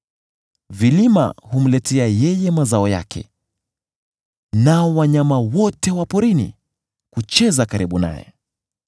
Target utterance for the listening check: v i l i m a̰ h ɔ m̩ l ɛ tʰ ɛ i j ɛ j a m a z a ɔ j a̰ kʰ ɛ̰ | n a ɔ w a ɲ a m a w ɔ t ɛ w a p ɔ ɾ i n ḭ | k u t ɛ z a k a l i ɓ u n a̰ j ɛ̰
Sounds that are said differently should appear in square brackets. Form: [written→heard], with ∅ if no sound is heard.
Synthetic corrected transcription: v i l i m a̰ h [ɔ→u] m̩ l ɛ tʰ ɛ [i→a] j ɛ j [a→ɛ] m a z a ɔ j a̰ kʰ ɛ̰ | n a ɔ w a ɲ a m a w ɔ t ɛ w a p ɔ ɾ i n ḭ | k u [t→t͡ʃ] ɛ z a k a [l→ɾ] i ɓ u n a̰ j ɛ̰